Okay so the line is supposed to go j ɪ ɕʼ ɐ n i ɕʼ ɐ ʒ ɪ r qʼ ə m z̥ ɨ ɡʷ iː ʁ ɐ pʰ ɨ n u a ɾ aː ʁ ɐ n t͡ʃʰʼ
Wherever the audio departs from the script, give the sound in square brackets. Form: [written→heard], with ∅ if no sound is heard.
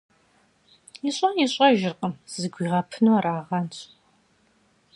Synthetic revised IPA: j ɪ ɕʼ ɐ n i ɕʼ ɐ ʒ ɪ r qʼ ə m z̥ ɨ ɡʷ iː ʁ ɐ pʰ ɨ n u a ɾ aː ʁ ɐ n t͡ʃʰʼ